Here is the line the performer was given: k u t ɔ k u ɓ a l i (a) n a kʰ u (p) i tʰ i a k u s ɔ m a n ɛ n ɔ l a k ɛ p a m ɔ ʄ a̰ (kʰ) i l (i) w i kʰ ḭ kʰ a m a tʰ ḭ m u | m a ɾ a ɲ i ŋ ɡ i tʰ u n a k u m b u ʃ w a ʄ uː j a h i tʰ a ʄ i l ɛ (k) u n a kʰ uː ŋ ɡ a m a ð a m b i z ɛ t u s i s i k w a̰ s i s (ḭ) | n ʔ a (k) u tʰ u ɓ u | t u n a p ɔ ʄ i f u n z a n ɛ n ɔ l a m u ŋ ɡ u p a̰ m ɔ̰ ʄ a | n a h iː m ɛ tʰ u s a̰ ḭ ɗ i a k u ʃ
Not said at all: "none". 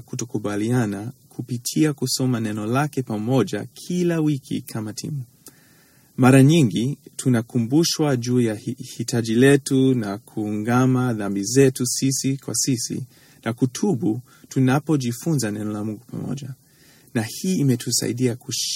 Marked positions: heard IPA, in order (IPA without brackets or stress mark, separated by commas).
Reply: a, p, kʰ, a, t, ḭ, k